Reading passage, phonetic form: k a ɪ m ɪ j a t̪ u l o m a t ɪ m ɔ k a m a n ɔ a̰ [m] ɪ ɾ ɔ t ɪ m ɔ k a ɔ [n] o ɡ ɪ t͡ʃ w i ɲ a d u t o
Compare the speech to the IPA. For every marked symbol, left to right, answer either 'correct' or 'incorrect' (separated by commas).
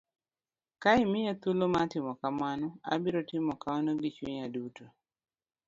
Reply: incorrect, correct